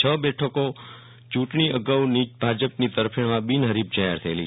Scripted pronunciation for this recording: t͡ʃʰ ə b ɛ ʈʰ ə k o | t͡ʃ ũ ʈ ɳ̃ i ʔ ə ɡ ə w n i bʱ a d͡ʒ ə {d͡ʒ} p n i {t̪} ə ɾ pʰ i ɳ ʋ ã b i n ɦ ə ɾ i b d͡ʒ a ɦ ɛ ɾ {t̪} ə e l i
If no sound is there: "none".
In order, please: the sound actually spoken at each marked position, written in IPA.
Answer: none, t̪, t̪ʰ

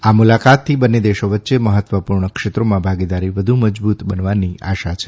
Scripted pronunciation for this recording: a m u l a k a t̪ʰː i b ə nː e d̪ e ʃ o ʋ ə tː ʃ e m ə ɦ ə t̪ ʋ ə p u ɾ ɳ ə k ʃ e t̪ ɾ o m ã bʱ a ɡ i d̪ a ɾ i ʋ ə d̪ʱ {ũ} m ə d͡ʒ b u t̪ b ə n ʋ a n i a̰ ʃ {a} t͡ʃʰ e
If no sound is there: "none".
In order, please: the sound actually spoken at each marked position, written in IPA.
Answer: u, a

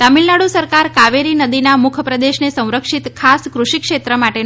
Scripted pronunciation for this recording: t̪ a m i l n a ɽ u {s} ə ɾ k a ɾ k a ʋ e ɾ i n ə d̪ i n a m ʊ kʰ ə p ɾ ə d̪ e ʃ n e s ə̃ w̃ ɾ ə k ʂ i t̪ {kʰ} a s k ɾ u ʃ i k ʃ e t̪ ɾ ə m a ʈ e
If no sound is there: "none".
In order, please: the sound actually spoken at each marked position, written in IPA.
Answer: s, kʰ

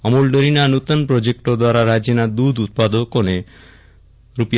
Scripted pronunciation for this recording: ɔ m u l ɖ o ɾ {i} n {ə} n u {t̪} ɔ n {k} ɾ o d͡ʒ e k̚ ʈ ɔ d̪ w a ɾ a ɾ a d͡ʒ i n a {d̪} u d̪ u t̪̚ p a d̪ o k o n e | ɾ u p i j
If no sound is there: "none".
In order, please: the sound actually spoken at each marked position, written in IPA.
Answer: i, a, t̪, p, d̪

